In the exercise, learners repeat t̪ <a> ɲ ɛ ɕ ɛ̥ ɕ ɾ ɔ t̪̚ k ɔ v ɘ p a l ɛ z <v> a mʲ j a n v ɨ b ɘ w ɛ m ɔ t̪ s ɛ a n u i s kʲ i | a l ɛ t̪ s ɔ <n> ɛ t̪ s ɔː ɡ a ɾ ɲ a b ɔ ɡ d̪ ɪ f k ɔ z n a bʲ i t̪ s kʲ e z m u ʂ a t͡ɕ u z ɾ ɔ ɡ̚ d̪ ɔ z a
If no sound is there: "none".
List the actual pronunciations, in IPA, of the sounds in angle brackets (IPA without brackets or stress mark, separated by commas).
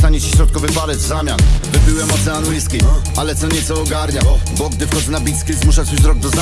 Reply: a, z, ɲ